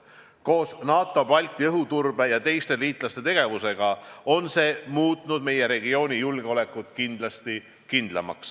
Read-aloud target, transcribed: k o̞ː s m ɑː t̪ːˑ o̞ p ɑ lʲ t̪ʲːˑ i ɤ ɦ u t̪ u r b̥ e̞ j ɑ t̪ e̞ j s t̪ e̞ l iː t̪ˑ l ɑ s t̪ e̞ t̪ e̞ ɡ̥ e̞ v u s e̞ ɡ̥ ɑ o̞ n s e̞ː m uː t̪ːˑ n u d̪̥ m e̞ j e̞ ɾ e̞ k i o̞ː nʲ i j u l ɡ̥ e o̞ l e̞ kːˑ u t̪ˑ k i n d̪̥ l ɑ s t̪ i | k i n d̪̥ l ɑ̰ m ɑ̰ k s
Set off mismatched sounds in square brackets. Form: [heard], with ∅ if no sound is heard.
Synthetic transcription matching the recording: k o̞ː s [n] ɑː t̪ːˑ o̞ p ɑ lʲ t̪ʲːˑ i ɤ ɦ u t̪ u r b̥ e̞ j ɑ t̪ e̞ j s t̪ e̞ l iː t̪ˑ l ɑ s t̪ e̞ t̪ e̞ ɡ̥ e̞ v u s e̞ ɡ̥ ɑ o̞ n s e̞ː m uː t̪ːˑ n u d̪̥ m e̞ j e̞ ɾ e̞ [ɡ] i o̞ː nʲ i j u l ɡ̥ e o̞ l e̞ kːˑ u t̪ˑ k i n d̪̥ l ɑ s t̪ i | k i n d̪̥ l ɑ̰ m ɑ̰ k s